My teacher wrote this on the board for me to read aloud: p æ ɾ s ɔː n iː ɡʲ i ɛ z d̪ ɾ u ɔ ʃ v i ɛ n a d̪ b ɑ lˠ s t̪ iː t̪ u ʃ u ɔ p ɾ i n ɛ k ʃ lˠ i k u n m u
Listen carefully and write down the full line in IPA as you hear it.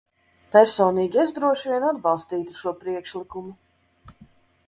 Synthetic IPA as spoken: p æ ɾ s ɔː n iː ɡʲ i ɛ z d̪ ɾ u ɔ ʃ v i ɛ n a d̪ b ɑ lˠ s t̪ iː t̪ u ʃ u ɔ p ɾ i ɛ k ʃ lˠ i k u m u